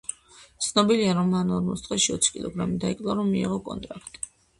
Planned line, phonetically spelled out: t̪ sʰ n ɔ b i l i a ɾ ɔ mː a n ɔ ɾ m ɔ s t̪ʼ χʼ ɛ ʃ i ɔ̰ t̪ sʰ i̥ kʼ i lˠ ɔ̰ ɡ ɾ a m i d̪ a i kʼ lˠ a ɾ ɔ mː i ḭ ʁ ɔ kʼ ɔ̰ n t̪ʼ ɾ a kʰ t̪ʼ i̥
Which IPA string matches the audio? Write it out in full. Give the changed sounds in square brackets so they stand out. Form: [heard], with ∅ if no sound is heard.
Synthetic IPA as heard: t̪ sʰ n ɔ b i l i a ɾ ɔ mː a n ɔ ɾ m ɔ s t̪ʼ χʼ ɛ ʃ i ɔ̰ t̪ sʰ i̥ kʼ i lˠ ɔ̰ ɡ ɾ a m i d̪ a i kʼ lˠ a ɾ ɔ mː i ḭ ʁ ɔ kʼ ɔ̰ n t̪ʼ ɾ a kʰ t̪ʼ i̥